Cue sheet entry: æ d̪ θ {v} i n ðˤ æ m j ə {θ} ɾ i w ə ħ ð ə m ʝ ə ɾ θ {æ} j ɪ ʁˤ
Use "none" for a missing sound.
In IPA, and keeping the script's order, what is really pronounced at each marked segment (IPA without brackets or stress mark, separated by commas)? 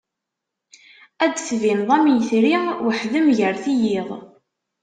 v, θ, i